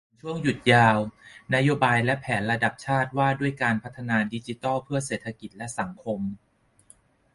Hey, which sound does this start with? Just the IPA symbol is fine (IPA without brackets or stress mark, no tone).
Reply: t͡ɕʰ